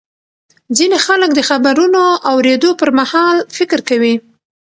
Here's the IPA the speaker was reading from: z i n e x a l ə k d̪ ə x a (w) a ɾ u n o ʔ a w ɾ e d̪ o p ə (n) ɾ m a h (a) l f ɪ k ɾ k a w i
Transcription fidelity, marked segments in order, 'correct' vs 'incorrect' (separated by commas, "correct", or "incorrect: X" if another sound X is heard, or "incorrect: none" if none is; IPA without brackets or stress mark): incorrect: b, incorrect: none, incorrect: ɑ